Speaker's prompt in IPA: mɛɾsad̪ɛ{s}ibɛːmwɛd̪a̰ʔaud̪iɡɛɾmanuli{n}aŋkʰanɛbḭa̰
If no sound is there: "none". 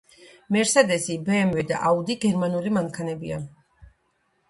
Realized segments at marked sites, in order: s, m

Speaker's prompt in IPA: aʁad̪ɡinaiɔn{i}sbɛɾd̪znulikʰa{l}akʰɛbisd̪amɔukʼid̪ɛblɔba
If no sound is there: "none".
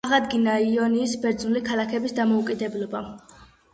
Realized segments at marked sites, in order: iː, l

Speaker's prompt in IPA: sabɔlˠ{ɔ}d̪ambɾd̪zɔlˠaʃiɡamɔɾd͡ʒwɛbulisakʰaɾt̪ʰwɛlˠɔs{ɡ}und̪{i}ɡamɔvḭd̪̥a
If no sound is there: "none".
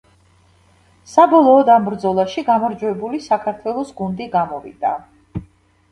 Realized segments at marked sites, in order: ɔː, ɡ, i

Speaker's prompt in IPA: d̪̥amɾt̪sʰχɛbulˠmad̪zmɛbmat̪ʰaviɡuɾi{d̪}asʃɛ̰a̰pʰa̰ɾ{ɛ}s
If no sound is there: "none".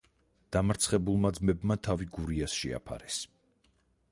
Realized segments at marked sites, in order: none, ɛ

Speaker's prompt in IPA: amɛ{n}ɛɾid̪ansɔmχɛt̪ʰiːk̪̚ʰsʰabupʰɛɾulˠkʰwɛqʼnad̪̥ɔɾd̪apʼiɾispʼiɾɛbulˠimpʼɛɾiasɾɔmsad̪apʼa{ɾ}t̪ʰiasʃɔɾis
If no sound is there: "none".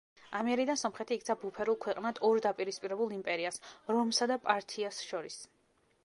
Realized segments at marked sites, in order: none, ɾ

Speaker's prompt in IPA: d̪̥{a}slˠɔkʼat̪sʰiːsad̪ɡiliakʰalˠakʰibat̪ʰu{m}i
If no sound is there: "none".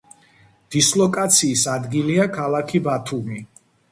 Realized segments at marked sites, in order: i, m

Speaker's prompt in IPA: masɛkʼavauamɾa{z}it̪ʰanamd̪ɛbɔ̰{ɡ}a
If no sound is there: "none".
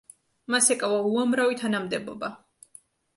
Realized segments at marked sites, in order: v, b

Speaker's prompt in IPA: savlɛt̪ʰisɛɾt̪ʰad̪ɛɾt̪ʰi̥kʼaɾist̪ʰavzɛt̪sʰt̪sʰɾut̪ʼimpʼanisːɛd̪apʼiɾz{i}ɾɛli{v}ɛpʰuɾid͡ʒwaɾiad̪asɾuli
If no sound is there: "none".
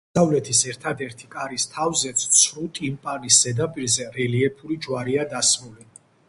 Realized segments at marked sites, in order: ɛ, none

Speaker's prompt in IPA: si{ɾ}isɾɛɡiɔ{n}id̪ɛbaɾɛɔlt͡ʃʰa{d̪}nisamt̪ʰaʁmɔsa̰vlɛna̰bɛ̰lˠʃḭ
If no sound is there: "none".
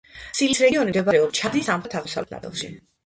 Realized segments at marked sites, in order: l, n, d̪

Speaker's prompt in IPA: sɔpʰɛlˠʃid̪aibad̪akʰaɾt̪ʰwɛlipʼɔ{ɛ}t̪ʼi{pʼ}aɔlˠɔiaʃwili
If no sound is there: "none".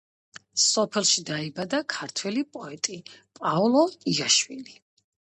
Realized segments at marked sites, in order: ɛ, pʼ

